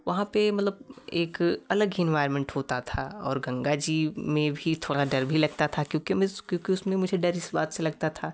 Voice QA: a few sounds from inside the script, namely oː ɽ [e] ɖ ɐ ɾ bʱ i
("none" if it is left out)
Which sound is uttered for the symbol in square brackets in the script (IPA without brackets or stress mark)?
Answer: a